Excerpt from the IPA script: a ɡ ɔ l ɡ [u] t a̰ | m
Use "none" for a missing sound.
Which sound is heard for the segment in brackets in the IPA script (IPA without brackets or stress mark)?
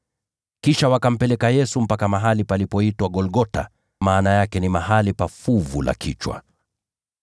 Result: ɔ